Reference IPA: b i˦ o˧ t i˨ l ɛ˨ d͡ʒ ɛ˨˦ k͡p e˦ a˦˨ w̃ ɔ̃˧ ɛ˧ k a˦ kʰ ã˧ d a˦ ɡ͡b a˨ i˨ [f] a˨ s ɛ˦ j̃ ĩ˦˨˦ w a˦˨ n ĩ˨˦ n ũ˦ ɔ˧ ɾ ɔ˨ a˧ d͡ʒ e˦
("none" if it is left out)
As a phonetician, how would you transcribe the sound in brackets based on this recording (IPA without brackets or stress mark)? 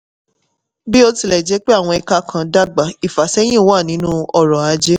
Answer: f